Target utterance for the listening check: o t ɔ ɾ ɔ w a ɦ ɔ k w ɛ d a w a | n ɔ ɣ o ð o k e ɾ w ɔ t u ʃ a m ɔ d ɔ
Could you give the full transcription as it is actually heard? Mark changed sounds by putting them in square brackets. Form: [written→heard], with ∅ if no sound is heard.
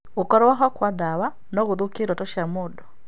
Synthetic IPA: o [t→k] ɔ ɾ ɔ w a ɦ ɔ k w [ɛ→a] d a w a | n ɔ ɣ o ð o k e ɾ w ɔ t [u→ɔ] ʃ a m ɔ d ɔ